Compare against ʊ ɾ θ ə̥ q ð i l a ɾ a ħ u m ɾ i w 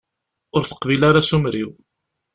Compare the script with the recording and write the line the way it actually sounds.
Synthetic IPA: ʊ ɾ θ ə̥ q v i l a ɾ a s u m ɾ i w